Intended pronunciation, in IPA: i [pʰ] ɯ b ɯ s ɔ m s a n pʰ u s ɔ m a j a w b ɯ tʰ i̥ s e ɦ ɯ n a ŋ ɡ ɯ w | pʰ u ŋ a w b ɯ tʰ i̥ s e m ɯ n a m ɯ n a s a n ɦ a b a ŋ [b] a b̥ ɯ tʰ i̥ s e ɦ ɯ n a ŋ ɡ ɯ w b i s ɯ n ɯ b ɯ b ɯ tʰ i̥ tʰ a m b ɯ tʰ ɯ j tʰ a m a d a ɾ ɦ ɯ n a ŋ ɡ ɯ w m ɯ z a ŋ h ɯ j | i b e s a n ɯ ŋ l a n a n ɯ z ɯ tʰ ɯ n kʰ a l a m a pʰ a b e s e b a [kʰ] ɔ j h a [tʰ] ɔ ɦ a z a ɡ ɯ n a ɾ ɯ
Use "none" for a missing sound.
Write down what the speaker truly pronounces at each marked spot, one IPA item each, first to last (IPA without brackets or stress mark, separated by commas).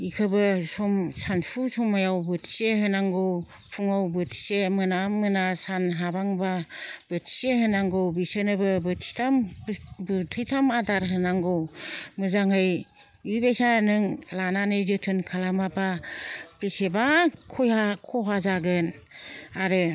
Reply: kʰ, b, kʰ, kʰ